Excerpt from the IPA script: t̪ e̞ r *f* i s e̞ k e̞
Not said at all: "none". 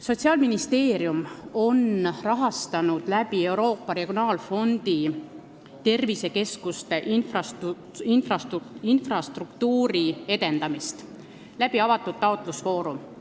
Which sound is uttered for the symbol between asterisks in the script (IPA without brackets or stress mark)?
v